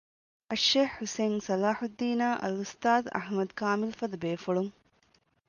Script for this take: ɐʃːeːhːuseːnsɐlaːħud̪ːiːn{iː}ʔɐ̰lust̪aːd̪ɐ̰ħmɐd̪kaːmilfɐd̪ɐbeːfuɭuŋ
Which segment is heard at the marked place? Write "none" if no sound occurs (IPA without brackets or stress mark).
aː